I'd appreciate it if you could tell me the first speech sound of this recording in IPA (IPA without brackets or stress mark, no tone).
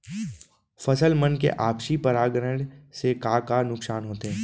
f